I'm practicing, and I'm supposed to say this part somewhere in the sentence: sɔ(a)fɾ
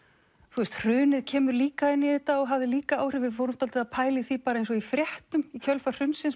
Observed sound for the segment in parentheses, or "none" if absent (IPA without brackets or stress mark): i